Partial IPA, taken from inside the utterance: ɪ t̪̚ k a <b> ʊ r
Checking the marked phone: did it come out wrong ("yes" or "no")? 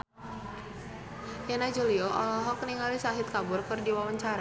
no